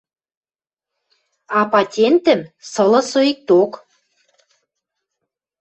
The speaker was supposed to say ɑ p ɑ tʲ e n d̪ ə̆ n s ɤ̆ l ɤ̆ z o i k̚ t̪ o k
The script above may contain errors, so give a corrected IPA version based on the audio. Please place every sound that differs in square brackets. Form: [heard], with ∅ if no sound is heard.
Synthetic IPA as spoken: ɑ p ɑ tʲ e n [t̪] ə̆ [m] s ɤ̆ l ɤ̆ [s] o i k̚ t̪ o k